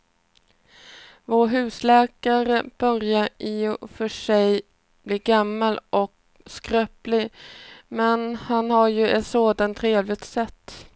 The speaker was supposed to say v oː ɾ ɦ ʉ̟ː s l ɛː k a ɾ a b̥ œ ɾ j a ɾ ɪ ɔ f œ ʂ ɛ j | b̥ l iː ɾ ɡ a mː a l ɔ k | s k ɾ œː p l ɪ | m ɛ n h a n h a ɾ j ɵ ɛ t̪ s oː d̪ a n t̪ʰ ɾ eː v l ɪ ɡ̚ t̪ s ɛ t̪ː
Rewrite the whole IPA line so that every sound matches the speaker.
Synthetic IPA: v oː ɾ ɦ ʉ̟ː s l ɛː k a ɾ ə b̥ œ ɾ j a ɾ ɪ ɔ f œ ʂ ɛ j | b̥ l iː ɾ ɡ a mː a l ɔ k | s k ɾ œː p l ɪ | m ɛ n h a n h a ɾ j ɵ ɛ t̪ s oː d̪ a n t̪ʰ ɾ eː v l ɪ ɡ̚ t̪ s ɛ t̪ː